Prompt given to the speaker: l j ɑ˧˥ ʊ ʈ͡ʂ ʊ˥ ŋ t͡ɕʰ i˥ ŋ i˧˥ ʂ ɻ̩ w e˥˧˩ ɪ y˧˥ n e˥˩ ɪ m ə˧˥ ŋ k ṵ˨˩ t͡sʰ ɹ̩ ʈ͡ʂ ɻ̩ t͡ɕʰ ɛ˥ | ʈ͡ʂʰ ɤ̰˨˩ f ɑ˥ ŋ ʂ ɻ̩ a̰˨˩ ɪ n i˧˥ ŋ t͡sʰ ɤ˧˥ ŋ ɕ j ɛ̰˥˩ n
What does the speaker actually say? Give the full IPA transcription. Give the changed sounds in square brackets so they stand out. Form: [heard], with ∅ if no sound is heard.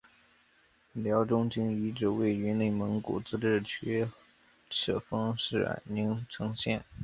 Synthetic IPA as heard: l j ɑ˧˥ ʊ ʈ͡ʂ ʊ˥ ŋ [t͡ɕ] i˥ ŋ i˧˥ [ʈ͡ʂ] ɻ̩ w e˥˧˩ ɪ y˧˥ n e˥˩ ɪ m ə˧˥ ŋ k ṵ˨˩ [t͡s] ɹ̩ ʈ͡ʂ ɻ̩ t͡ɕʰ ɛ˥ | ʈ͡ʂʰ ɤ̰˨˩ f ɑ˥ ŋ ʂ ɻ̩ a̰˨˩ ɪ n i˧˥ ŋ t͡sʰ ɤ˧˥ ŋ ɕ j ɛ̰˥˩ n